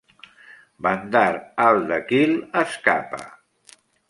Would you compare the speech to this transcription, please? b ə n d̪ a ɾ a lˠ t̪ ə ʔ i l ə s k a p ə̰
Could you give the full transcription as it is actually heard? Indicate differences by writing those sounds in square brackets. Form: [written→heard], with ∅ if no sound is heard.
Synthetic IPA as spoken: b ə n d̪ a ɾ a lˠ [t̪→d̪] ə [ʔ→k] i l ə s k a p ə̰